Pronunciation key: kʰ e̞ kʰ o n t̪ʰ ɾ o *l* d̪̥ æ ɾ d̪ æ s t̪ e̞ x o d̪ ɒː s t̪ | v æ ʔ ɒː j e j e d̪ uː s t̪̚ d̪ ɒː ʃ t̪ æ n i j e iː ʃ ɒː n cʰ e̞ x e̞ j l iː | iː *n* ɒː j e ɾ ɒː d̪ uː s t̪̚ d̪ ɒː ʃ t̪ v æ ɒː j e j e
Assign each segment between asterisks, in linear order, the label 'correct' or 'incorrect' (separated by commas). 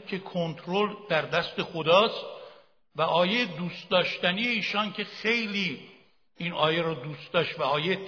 correct, correct